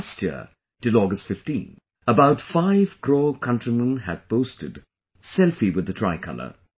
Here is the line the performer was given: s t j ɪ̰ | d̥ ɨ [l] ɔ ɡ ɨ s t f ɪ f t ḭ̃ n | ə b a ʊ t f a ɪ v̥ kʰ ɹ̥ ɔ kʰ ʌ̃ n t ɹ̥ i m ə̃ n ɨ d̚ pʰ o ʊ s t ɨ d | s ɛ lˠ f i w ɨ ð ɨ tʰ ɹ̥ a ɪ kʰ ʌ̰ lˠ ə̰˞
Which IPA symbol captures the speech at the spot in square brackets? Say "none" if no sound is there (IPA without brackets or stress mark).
l